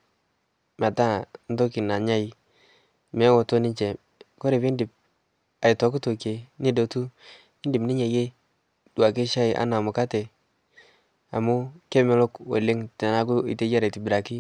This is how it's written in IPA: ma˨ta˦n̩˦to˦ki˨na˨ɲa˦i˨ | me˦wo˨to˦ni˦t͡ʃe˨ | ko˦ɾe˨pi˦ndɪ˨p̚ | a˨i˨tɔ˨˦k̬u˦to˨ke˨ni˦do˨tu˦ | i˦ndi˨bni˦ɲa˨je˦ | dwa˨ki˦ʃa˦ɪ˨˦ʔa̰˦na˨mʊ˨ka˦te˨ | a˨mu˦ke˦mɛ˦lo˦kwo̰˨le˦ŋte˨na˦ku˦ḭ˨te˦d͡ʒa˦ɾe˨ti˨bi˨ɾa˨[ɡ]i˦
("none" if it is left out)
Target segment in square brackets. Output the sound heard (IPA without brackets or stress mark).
k